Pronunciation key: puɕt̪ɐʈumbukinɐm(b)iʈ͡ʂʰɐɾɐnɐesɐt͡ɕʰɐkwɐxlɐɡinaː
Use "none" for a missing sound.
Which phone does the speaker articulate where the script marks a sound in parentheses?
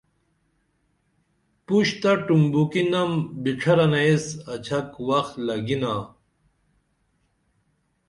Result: b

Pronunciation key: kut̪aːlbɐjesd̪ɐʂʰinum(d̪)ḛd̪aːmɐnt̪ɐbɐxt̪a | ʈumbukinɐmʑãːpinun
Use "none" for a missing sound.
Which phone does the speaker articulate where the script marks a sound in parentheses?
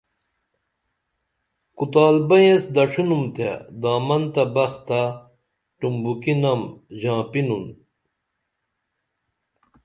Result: t̪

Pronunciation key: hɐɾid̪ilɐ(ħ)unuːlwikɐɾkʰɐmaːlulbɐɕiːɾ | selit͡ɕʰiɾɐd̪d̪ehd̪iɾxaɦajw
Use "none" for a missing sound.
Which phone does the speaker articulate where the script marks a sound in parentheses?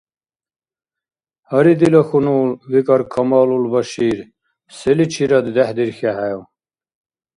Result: x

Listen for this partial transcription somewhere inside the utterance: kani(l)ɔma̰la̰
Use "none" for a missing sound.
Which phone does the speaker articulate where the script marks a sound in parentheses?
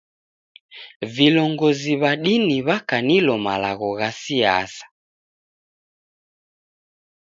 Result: l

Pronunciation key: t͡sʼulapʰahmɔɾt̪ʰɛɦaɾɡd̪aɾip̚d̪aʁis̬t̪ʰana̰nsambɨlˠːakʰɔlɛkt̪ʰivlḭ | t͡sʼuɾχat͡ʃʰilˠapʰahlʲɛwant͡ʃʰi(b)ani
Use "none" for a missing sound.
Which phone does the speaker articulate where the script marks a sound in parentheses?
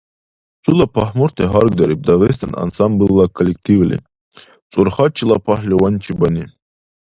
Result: b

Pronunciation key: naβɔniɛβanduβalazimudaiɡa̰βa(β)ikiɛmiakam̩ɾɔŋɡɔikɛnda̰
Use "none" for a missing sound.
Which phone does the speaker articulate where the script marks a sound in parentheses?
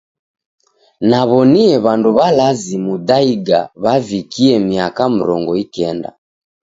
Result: v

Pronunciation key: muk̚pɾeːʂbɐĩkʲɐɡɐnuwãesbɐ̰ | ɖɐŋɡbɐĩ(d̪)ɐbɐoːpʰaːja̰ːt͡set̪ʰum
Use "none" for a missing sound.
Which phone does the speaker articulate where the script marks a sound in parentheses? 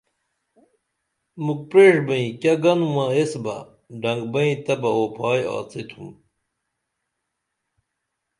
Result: t̪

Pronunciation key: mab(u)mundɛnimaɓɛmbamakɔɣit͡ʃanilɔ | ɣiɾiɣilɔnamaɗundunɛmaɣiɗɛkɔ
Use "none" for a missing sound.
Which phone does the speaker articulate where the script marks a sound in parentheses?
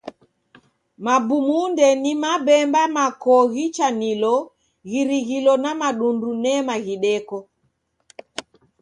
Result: u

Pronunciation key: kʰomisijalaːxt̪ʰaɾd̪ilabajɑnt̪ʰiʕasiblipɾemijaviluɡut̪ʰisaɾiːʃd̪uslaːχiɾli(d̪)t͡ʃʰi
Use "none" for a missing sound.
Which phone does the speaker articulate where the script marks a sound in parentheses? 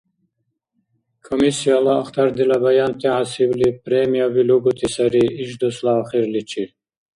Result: none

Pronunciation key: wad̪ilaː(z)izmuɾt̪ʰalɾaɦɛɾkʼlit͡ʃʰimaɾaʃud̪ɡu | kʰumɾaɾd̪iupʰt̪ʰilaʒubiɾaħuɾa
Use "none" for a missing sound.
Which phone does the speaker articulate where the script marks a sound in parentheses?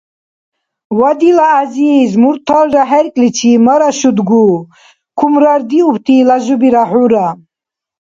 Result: z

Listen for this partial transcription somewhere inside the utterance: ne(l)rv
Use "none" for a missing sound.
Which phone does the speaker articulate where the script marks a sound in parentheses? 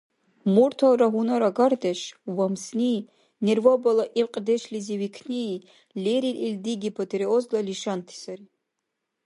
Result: none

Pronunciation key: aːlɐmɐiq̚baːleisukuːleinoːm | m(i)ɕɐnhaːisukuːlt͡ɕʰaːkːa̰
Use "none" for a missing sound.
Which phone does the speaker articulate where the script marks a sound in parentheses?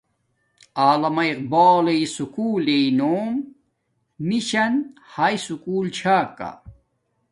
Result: i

